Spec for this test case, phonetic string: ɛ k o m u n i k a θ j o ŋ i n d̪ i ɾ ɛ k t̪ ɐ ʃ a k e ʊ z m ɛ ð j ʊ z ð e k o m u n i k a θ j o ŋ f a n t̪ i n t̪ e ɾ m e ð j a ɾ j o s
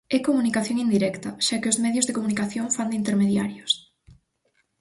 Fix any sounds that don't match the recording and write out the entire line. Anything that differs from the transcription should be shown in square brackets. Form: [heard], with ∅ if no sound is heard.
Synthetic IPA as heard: ɛ k o m u n i k a θ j o ŋ i n d̪ i ɾ ɛ k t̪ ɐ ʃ a k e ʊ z m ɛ ð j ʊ z ð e k o m u n i k a θ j o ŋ f a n [d̪] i n t̪ e ɾ m e ð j a ɾ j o s